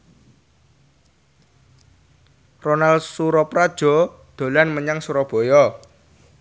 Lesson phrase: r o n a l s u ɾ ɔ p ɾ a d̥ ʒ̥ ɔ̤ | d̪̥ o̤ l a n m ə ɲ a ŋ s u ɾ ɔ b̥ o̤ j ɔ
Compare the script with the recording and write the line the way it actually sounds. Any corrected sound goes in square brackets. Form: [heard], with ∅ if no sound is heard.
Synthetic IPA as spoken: r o n a l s u ɾ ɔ p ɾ a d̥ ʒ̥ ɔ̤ | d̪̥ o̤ l a n m ə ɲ a ŋ s u ɾ ɔ b̥ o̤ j ɔ